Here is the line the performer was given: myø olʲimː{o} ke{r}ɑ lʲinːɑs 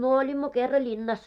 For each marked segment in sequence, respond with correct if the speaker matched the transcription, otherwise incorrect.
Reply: correct, incorrect

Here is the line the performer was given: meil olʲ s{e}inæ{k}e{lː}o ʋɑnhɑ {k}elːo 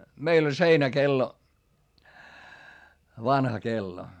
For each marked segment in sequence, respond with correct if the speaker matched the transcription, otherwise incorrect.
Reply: correct, correct, correct, correct

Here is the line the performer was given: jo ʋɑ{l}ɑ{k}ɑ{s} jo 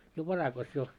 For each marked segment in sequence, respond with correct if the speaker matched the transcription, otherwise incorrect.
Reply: incorrect, correct, correct

